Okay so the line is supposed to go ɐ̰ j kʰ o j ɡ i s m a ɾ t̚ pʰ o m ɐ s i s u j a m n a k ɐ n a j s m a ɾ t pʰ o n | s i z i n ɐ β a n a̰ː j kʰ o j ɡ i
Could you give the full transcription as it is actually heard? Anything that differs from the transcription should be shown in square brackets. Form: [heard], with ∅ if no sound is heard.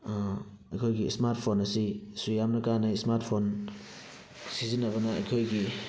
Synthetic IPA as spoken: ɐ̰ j kʰ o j ɡ i s m a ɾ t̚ pʰ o [n] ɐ s i s u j a m n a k [a] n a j s m a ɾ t pʰ o n | s i z i n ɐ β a n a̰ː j kʰ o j ɡ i